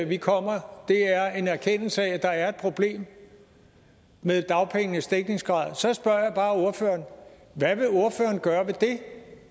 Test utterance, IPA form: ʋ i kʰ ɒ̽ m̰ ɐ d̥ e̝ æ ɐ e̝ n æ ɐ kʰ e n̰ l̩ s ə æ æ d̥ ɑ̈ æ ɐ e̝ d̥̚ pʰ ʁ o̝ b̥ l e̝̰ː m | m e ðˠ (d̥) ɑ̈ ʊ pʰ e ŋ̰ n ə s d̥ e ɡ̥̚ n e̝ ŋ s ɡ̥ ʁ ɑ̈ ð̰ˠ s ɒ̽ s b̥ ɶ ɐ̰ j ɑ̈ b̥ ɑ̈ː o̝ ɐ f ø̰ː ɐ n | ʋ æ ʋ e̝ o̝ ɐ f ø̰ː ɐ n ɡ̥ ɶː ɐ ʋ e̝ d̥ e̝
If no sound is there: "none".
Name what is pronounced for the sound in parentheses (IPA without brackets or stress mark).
d̥